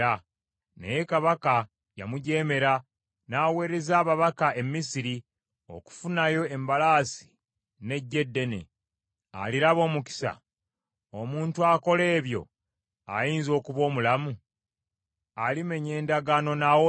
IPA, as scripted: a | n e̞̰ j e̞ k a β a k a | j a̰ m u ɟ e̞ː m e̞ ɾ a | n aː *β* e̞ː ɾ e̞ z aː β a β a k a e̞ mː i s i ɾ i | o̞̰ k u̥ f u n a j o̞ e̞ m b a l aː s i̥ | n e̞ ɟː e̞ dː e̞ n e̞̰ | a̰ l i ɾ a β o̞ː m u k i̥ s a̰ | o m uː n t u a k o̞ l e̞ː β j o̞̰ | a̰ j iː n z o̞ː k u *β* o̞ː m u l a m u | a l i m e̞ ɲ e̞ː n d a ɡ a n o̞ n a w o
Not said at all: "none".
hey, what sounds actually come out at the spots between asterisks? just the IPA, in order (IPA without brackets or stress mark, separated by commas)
w, β